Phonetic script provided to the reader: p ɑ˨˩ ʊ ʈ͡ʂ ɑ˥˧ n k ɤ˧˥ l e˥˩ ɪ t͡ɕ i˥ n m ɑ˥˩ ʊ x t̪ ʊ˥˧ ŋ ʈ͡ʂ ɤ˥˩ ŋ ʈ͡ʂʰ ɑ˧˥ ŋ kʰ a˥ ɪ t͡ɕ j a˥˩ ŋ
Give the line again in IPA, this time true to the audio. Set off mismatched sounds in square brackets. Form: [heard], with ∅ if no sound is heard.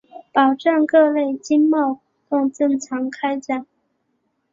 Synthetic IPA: p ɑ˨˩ ʊ ʈ͡ʂ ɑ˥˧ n k [ɤ˥˧] l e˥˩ ɪ t͡ɕ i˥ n m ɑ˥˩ ʊ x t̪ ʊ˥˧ ŋ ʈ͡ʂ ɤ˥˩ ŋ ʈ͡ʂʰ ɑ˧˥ ŋ kʰ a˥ ɪ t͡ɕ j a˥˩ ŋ